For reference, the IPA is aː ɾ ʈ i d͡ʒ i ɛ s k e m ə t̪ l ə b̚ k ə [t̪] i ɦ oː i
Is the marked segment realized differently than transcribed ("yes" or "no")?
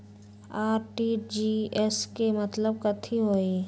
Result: yes